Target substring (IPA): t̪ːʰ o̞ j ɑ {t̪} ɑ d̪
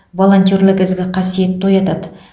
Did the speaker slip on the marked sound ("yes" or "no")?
no